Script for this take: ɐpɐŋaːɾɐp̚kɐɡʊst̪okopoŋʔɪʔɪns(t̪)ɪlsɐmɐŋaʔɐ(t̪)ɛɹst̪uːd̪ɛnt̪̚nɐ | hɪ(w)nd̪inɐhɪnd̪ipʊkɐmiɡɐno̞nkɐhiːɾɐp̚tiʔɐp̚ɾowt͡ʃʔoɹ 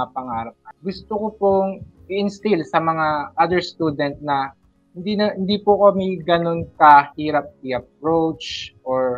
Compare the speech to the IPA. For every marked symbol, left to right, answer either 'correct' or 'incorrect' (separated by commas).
correct, incorrect, incorrect